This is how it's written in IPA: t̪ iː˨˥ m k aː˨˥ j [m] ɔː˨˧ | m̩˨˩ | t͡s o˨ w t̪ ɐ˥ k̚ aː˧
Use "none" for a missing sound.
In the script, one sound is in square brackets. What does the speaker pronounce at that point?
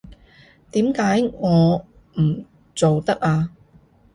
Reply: ŋ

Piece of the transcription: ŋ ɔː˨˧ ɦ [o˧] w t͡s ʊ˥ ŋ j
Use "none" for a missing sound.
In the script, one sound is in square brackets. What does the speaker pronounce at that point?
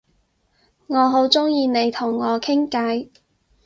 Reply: o˨˥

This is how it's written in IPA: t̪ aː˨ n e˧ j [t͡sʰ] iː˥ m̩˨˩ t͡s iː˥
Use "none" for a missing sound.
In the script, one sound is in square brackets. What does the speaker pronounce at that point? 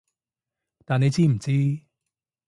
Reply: t͡s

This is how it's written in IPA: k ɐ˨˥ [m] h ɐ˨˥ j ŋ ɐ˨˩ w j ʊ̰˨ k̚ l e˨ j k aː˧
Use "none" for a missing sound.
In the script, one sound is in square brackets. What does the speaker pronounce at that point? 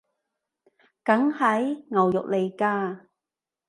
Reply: ŋ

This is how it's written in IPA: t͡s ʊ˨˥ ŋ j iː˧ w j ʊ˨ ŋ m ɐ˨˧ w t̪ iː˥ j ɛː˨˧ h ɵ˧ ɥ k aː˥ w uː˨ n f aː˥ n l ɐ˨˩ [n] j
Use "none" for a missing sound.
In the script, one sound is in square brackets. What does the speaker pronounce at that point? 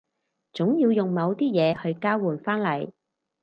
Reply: none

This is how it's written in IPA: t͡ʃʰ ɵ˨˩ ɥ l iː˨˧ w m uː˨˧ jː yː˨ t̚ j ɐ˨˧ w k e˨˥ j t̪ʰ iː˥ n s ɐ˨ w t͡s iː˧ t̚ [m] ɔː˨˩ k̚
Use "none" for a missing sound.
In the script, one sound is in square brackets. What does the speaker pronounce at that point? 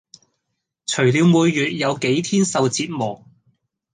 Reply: m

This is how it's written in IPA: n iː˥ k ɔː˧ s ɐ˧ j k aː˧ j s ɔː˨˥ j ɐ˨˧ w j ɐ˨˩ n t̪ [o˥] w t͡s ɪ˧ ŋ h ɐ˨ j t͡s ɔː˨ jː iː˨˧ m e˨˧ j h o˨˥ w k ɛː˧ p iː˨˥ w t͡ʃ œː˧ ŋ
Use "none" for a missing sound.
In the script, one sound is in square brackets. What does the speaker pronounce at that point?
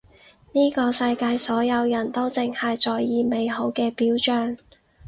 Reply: o˥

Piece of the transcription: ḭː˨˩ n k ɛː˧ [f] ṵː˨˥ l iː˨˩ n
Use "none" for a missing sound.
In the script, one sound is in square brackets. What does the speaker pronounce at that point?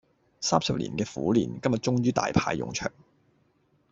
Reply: f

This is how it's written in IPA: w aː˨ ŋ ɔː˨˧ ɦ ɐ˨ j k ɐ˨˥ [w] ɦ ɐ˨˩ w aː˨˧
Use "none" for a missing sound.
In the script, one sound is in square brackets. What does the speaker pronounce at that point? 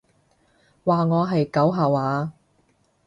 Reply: w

